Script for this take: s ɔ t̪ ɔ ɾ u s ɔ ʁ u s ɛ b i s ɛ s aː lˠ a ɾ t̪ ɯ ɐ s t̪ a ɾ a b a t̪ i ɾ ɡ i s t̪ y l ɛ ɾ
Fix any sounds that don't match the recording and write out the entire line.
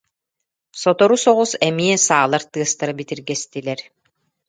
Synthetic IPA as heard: s ɔ t̪ ɔ ɾ u s ɔ ʁ u s ɛ m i ɛ s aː lˠ a ɾ t̪ ɯ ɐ s t̪ a ɾ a b i t̪ i ɾ ɡ ɛ s t̪ i l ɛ ɾ